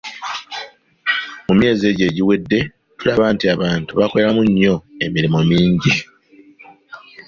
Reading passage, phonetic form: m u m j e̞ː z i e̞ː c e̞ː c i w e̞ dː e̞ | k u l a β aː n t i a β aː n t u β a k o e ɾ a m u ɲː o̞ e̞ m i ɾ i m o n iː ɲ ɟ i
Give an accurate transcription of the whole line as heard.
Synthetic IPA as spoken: m u m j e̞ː z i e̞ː ɟ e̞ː ɟ i w e̞ dː e̞ | t u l a β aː n t i a β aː n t u β a k o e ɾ a m u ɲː o̞ e̞ m i ɾ i m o m iː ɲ ɟ i